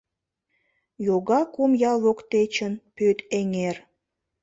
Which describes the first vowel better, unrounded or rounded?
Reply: rounded